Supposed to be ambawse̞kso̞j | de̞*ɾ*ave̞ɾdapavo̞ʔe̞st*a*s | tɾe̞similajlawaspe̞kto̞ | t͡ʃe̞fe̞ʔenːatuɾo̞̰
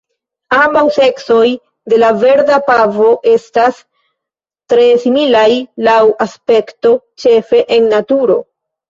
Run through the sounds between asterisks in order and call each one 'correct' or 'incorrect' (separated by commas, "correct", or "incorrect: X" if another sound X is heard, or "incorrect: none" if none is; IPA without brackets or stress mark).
incorrect: l, correct